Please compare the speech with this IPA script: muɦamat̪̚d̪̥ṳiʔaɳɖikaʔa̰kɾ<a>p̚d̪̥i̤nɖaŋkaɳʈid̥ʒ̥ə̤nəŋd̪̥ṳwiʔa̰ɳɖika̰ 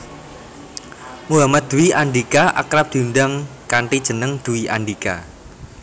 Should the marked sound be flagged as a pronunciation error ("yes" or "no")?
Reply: no